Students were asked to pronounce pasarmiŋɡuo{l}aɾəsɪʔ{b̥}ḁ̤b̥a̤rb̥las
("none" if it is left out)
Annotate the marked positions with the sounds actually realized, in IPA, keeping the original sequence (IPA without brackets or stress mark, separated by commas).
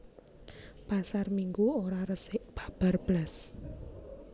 ɾ, b̥